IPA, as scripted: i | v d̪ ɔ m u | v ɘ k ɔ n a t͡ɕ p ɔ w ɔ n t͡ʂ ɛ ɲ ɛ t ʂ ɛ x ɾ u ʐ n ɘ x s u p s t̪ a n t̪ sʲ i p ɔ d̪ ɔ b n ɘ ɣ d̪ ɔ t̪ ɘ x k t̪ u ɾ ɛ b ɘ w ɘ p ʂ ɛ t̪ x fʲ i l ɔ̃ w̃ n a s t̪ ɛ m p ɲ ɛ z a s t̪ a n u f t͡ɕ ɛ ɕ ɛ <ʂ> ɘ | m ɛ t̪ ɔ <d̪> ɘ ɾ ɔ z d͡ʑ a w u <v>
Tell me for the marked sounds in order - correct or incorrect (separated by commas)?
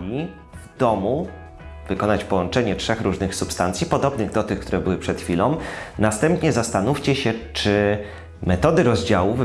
incorrect, correct, correct